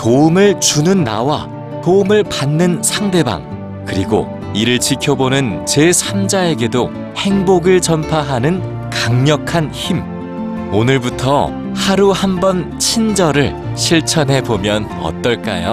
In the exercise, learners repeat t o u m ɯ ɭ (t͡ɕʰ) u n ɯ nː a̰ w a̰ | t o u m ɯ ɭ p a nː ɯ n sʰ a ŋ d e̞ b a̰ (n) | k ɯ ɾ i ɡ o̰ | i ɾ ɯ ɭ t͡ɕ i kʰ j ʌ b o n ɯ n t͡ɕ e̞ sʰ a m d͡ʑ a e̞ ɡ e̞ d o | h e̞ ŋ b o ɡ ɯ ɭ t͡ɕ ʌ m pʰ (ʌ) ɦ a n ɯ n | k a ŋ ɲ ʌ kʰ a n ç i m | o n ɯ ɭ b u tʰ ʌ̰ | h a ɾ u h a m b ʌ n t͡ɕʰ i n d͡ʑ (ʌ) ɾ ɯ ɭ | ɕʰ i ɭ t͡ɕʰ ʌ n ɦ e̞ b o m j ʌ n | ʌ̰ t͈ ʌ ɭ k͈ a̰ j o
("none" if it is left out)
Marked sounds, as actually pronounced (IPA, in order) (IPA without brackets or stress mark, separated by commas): t͡ɕ, ŋ, a, ʌ